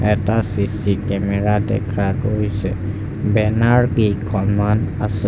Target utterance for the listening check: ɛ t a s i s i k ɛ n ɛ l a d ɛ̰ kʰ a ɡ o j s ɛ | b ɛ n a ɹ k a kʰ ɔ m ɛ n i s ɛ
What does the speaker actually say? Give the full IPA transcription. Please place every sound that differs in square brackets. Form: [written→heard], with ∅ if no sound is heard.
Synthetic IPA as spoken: ɛ t a s i s i k ɛ [n→m] ɛ [l→ɹ] a d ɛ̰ kʰ a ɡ o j s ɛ | b ɛ n a ɹ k [a→i] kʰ ɔ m [ɛ→a] n [i→a] s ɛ